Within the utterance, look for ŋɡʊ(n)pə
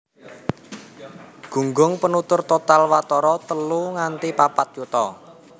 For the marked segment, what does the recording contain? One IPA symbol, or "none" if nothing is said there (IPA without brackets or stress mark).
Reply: ŋ